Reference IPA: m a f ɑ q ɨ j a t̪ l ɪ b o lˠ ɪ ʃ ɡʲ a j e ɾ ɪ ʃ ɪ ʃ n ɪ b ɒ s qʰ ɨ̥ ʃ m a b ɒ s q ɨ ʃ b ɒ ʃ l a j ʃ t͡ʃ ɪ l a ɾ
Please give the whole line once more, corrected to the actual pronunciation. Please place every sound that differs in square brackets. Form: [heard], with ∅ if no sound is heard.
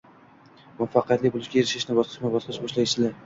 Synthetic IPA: m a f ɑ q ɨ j a t̪ l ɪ b o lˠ ɪ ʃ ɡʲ a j e ɾ ɪ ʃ ɪ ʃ n ɪ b ɒ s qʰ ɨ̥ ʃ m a b ɒ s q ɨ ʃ b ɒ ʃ l a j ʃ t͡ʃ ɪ l a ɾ